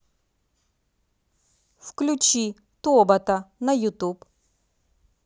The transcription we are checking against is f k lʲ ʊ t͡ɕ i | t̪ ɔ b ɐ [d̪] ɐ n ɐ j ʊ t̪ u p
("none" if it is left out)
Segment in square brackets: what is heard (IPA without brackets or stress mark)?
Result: t̪